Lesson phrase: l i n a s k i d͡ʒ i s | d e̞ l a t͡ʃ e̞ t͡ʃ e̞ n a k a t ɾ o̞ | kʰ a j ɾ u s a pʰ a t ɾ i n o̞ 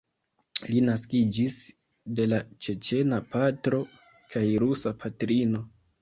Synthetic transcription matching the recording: l i n a s k i d͡ʒ i s | d e̞ l a t͡ʃ e̞ t͡ʃ e̞ n a p a t ɾ o̞ | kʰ a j ɾ u s a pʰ a t ɾ i n o̞